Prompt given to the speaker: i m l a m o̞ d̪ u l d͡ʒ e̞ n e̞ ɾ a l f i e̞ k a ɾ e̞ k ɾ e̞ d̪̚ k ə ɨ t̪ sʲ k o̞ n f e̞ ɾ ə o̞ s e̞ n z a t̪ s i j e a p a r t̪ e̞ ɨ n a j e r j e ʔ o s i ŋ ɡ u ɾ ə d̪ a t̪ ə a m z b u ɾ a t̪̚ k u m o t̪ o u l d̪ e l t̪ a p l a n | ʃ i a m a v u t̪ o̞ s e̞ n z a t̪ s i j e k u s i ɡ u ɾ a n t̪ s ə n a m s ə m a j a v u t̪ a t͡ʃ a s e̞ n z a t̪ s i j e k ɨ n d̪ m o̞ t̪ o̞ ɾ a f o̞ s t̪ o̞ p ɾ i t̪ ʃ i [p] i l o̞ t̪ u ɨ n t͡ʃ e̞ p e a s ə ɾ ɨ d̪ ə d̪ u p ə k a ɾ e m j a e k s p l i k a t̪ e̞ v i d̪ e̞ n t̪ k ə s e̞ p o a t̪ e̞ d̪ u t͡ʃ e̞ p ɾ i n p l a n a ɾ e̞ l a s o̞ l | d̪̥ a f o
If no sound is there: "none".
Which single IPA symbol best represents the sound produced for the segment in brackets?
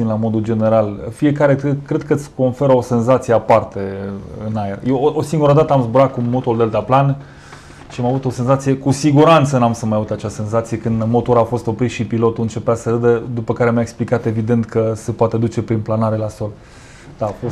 p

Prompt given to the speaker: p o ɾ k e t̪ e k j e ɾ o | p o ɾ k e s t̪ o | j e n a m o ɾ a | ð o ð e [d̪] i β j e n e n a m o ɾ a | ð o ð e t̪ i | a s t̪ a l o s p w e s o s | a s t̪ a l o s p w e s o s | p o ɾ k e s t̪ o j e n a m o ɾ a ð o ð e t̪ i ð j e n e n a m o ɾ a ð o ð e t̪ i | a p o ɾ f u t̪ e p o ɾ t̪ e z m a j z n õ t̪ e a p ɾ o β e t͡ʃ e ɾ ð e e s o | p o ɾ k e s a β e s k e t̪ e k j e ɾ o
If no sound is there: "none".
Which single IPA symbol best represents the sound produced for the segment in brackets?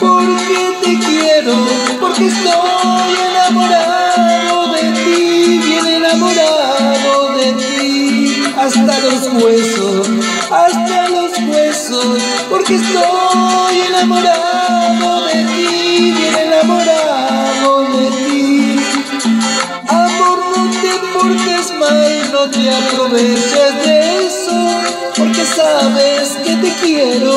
t̪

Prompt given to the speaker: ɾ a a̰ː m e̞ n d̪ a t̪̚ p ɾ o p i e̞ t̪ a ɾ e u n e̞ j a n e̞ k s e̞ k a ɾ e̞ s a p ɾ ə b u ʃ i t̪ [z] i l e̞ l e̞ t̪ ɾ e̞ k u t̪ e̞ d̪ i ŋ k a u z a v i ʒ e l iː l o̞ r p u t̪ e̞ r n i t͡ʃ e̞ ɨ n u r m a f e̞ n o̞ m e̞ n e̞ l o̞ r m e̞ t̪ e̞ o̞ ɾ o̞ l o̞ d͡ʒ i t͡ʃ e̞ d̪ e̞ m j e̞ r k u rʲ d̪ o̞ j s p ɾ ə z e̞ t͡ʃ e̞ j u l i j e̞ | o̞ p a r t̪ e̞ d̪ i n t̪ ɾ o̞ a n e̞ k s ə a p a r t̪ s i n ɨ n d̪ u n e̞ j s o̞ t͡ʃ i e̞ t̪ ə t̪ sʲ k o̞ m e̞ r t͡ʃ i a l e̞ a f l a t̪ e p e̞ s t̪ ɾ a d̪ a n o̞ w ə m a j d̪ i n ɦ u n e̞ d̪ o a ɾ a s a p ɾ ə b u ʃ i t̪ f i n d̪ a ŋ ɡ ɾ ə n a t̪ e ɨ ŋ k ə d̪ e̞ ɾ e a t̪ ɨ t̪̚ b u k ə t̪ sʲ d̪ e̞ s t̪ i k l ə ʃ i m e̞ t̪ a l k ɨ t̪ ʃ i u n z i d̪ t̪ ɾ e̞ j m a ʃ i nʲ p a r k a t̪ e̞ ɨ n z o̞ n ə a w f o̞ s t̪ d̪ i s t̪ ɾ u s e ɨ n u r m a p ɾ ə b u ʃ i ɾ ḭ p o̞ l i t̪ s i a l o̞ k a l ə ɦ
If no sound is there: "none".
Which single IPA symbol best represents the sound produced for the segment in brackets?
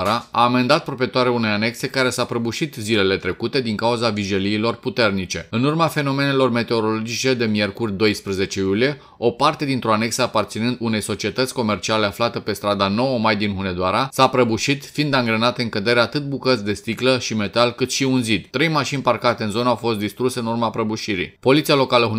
z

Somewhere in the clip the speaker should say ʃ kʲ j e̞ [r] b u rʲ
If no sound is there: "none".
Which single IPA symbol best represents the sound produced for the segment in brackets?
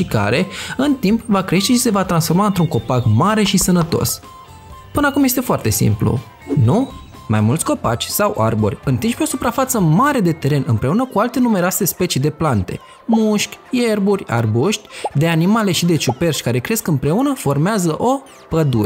r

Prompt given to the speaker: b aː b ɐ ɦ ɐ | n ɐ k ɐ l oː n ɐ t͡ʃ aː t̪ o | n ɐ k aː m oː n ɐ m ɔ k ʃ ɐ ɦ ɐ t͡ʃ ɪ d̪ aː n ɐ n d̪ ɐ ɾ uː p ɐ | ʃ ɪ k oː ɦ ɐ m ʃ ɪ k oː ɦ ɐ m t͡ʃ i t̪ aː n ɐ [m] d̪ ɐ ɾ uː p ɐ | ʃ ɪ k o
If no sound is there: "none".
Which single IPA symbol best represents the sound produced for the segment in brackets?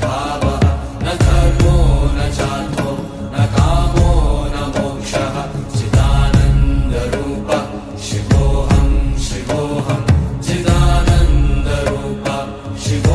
n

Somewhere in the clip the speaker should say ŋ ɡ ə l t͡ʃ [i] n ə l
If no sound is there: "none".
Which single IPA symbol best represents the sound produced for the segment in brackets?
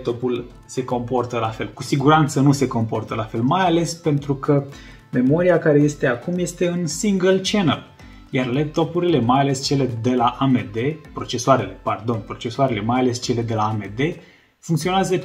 e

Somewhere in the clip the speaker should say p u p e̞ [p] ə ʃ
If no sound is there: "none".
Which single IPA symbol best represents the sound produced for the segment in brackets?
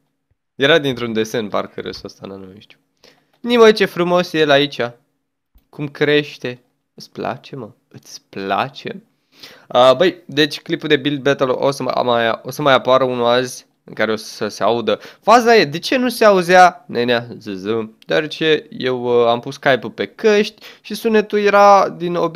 k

